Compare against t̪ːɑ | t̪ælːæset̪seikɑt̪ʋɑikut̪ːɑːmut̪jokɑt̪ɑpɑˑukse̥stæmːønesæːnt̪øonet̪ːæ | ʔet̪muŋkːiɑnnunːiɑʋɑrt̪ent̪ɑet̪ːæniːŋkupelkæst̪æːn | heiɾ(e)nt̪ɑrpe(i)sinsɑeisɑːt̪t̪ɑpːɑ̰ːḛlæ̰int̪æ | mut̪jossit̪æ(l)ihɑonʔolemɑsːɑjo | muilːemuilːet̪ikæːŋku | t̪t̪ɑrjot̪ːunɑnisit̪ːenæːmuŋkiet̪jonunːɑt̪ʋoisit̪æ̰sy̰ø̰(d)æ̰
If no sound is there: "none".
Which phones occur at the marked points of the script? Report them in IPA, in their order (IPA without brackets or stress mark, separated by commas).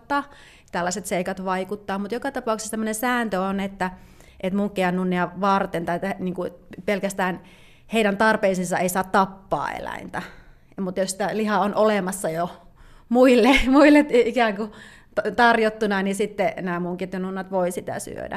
æ, i, l, d